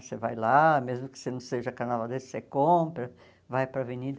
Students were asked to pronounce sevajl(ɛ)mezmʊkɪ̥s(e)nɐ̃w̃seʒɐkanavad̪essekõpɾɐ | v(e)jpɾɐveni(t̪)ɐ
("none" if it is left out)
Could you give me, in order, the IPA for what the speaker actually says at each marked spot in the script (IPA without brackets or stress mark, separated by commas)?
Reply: a, e, a, d̪